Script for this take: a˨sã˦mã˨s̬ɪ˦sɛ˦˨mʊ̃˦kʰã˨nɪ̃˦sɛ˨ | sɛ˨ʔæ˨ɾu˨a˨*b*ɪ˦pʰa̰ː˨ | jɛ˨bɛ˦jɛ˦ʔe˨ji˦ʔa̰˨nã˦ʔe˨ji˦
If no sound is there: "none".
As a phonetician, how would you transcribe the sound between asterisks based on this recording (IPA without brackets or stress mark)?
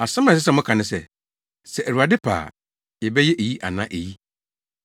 d